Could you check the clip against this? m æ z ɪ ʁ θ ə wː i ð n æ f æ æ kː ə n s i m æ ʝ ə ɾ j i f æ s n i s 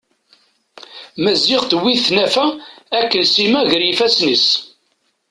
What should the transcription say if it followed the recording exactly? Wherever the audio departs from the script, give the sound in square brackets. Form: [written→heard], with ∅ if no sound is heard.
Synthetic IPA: m æ z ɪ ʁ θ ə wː i [ð→θ] n æ f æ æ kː ə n s i m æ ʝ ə ɾ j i f æ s n i s